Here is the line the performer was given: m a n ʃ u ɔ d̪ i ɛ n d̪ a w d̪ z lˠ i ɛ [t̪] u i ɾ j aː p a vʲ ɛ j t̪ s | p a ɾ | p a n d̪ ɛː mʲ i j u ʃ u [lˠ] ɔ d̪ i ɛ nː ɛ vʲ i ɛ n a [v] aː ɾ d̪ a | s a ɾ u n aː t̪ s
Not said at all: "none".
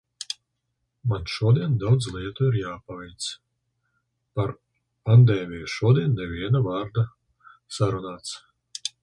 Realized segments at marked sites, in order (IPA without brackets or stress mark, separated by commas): t̪, none, v